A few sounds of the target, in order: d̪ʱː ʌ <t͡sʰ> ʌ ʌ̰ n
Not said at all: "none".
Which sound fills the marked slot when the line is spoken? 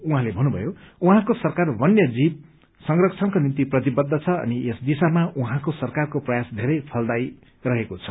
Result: t͡sʰ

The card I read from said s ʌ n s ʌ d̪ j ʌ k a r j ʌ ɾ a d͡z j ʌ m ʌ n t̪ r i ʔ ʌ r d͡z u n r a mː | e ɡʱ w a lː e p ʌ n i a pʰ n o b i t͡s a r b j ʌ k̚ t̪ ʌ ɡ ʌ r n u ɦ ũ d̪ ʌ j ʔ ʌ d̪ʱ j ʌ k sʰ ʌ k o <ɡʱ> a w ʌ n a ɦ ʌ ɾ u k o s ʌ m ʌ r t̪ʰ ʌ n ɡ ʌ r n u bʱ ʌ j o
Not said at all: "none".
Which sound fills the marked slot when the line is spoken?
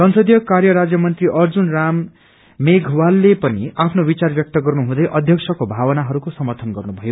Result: bʱ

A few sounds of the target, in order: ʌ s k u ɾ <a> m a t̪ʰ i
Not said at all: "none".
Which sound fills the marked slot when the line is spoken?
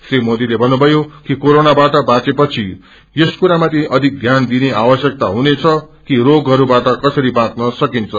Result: a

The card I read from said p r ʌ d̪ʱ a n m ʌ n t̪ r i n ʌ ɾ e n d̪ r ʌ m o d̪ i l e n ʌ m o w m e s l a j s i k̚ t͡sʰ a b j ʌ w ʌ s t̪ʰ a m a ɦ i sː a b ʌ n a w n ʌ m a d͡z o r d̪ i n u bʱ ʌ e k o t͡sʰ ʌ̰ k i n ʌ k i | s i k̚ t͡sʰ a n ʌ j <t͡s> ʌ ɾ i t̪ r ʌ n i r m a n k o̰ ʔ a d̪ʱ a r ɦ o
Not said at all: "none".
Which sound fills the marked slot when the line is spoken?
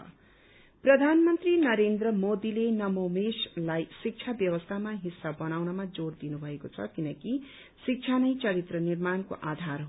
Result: t͡s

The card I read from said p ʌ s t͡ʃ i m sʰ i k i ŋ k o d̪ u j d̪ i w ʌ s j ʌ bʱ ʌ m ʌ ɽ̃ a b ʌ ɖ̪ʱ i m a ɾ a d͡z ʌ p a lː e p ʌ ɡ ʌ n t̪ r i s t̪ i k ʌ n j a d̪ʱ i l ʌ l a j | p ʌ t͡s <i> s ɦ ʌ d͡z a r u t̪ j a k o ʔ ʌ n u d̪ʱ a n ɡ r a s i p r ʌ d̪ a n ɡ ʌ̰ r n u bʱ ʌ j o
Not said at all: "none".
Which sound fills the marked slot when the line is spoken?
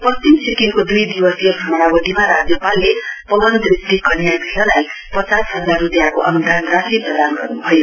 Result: a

